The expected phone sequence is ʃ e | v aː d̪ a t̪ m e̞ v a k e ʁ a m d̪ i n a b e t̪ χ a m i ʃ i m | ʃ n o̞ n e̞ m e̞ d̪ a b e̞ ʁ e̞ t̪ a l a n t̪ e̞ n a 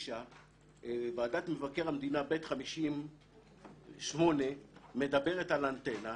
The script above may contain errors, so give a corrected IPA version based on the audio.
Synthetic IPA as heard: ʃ a | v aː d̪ a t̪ m e̞ v a k e ʁ a m d̪ i n a b e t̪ χ a m i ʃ i m | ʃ m o̞ n e̞ m e̞ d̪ a b e̞ ʁ e̞ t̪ a l a n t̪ e̞ n a